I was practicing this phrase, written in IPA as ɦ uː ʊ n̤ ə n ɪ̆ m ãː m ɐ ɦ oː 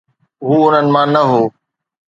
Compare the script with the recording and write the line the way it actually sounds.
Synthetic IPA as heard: ɦ uː ʊ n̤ ə n ɪ̆ m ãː n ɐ ɦ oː